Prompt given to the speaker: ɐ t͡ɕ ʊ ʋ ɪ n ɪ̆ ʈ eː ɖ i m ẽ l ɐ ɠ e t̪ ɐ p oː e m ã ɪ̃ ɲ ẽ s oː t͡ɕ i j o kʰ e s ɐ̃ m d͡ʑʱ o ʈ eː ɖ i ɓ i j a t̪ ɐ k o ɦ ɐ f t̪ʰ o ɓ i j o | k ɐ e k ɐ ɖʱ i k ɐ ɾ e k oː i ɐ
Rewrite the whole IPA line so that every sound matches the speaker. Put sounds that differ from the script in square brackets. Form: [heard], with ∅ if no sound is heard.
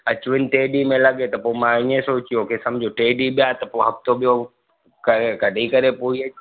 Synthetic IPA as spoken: ɐ t͡ɕ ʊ ʋ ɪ n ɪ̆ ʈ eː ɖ i m ẽ l ɐ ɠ e t̪ ɐ p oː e m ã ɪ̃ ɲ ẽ s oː t͡ɕ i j o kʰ e s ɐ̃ m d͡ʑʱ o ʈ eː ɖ i ɓ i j a t̪ ɐ [p] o ɦ ɐ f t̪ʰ o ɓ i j o | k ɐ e k ɐ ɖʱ i k ɐ ɾ e [p] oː i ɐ